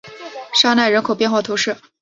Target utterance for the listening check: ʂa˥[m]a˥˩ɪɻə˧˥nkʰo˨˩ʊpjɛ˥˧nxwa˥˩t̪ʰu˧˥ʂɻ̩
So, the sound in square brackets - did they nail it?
no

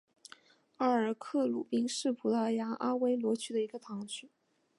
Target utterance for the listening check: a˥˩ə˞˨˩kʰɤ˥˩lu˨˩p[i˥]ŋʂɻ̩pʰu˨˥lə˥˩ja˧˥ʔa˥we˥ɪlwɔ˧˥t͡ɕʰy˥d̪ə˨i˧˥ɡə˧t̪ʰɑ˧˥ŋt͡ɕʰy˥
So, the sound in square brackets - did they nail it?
yes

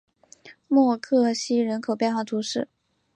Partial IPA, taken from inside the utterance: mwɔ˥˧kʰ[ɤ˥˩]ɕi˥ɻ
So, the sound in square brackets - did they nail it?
yes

